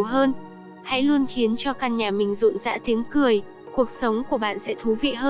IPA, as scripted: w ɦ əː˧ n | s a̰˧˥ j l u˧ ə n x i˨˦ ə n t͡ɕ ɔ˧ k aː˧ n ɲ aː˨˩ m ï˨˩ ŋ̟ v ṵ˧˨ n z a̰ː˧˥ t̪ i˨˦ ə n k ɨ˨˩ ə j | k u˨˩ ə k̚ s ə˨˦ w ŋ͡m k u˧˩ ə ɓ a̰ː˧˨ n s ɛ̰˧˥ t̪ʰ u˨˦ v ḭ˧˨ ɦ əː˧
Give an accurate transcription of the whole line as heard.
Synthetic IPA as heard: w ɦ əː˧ n | h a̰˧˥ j l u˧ ə n x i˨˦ ə n t͡ɕ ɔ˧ k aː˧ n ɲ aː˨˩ m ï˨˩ ŋ̟ z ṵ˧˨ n z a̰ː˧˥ t̪ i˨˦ ə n k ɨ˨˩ ə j | k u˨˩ ə k̚ s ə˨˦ w ŋ͡m k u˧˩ ə ɓ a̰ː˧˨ n s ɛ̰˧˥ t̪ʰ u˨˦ v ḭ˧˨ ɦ əː˧